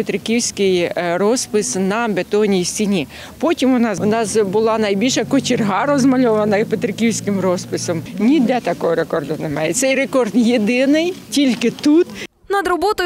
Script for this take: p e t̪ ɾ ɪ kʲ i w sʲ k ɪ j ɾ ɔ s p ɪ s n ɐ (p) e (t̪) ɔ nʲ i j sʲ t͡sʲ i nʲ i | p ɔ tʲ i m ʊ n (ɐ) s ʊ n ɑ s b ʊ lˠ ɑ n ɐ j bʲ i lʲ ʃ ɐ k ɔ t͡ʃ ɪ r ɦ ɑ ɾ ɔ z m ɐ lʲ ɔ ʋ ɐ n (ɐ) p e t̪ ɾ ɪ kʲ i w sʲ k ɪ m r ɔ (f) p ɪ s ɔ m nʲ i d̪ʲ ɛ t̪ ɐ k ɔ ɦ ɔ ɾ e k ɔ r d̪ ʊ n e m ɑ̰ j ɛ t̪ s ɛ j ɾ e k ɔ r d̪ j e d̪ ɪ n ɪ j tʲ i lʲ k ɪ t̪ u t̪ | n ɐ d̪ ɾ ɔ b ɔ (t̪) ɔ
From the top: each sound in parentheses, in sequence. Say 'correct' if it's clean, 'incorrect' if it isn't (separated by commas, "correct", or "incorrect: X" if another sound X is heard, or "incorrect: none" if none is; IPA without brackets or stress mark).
incorrect: b, correct, incorrect: ɑ, correct, incorrect: s, correct